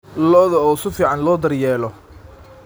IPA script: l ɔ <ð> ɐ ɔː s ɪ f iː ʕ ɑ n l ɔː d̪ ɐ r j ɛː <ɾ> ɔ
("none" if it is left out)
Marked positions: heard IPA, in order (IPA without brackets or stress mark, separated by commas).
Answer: ð, l